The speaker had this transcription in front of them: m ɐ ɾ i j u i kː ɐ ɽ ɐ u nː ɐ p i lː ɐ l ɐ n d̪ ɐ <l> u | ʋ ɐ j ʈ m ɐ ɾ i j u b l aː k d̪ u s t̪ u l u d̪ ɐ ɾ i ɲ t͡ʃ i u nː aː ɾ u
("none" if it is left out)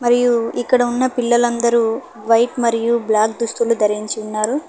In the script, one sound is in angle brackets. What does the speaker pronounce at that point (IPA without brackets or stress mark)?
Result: ɾ